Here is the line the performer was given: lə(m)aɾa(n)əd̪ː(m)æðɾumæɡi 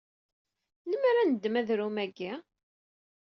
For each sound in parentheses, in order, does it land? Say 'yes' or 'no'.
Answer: yes, yes, yes

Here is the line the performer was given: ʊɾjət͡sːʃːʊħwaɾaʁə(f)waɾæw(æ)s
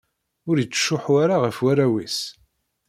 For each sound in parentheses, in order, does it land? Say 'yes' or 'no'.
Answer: yes, no

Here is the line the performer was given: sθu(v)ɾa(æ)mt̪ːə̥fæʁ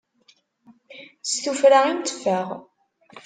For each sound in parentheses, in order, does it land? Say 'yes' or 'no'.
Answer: no, no

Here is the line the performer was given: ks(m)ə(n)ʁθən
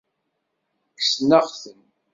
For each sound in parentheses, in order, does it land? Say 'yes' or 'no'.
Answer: no, no

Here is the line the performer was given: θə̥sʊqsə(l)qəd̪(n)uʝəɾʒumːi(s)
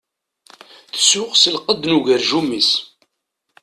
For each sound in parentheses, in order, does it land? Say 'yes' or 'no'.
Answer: yes, yes, yes

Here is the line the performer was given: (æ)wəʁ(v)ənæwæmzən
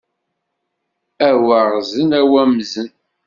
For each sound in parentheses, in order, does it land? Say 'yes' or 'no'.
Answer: yes, no

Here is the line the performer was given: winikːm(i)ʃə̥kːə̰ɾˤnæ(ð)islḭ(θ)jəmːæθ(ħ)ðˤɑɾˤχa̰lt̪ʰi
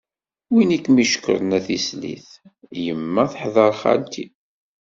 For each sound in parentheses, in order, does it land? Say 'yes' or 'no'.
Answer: yes, no, yes, yes

